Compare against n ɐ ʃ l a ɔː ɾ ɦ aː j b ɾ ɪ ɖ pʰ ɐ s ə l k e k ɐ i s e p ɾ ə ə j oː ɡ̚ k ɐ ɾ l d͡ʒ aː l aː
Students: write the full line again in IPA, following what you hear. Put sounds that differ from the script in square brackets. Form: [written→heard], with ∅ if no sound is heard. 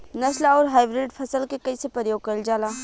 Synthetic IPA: n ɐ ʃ l a ɔː ɾ ɦ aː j b ɾ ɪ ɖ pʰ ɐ s ə l k e k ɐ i s e p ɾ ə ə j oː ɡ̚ k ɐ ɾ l d͡ʒ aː l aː